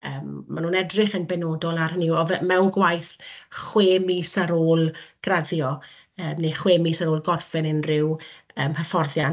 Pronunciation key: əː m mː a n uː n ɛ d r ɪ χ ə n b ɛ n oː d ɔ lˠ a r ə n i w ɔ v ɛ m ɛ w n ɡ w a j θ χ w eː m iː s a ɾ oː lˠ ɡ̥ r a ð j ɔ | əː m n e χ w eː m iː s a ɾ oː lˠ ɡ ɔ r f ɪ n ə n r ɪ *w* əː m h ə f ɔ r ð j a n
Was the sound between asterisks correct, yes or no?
yes